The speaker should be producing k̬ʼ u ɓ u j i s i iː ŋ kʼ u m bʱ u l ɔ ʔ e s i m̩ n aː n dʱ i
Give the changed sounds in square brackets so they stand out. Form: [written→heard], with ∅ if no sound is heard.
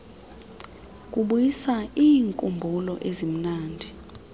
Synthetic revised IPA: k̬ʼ u ɓ u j i s [i→a] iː ŋ kʼ u m bʱ u l ɔ ʔ e [s→z] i m̩ n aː n dʱ i